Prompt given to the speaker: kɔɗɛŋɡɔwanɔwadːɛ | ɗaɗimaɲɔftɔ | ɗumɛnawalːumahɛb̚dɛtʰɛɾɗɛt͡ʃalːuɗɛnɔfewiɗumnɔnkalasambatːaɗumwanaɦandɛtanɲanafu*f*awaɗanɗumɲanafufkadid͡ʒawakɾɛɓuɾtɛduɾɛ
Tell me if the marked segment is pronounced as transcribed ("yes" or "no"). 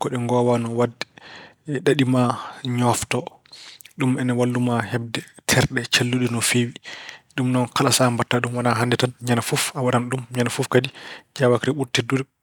yes